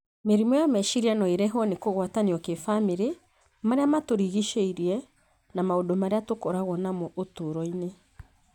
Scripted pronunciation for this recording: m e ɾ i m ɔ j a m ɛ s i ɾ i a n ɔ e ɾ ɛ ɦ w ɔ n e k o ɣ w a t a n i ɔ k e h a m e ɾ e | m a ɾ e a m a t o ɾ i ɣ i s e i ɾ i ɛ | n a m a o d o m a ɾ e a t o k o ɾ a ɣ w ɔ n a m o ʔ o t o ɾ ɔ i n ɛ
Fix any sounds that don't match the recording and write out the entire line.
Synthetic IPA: m e ɾ i m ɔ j a m ɛ ʃ i ɾ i a n ɔ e ɾ ɛ ɦ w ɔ n e k o ɣ w a t a n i ɔ k e f a m e ɾ e | m a ɾ e a m a t o ɾ i ɣ i ʃ e i ɾ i ɛ | n a m a o d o m a ɾ e a t o k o ɾ a ɣ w ɔ n a m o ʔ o t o ɾ ɔ i n e